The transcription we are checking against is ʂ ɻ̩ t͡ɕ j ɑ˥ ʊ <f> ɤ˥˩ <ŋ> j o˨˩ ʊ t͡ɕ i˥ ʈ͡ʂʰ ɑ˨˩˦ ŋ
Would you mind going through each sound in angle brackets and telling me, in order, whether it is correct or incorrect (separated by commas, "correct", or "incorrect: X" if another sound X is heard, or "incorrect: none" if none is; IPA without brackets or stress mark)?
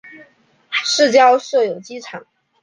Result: incorrect: ʂ, incorrect: none